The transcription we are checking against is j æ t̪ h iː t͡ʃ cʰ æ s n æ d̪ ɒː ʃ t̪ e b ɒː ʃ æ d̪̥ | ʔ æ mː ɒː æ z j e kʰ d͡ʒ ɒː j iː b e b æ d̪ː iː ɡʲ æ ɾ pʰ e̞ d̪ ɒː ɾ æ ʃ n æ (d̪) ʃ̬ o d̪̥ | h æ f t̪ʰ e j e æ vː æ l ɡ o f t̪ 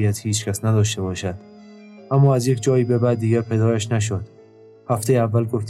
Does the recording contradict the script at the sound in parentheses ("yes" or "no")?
yes